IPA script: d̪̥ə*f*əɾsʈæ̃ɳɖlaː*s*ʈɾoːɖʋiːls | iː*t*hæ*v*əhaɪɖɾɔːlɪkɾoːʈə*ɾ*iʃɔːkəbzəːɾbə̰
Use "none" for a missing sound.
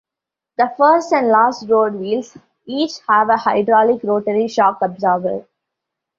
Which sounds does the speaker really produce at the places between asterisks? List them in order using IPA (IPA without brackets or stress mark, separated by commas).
f, s, t͡ʃ, ʋ, ɾ